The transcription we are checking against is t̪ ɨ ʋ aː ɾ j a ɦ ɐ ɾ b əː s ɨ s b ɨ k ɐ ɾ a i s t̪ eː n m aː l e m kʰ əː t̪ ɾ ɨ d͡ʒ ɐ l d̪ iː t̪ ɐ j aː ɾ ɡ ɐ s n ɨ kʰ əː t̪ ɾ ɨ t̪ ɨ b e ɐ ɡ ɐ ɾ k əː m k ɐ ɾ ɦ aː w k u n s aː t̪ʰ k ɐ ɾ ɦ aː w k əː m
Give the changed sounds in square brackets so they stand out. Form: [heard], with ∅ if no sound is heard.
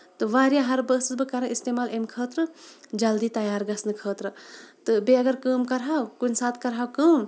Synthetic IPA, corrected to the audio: t̪ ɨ ʋ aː ɾ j a ɦ ɐ ɾ b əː s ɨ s b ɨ k ɐ ɾ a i s t̪ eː [∅] m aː l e m kʰ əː t̪ ɾ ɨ d͡ʒ ɐ l d̪ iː t̪ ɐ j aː ɾ ɡ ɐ s n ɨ kʰ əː t̪ ɾ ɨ t̪ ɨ b e ɐ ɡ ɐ ɾ k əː m k ɐ ɾ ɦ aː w k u n s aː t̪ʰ k ɐ ɾ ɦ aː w k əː m